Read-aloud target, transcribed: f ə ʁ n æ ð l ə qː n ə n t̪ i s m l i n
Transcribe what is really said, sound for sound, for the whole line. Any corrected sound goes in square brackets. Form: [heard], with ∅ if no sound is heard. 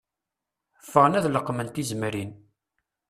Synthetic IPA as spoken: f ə ʁ n æ ð l ə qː [m] ə n t̪ i [z] m [ɾ] i n